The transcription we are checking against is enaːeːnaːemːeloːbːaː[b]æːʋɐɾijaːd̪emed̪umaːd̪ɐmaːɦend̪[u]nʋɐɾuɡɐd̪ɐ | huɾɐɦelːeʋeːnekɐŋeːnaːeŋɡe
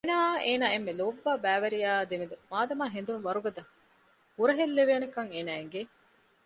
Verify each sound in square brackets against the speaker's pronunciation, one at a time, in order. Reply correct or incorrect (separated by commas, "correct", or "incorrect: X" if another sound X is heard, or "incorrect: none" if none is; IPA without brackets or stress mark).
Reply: correct, correct